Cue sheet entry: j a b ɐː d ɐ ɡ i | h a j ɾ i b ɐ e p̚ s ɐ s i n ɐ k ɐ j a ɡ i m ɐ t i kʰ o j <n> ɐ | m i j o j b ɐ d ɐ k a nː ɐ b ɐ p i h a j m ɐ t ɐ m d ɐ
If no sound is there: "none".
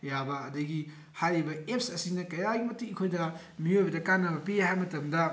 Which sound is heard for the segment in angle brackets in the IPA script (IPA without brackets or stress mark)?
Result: d